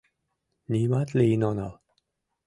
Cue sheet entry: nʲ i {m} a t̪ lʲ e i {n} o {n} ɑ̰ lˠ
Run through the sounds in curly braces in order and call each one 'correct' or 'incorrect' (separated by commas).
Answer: correct, correct, correct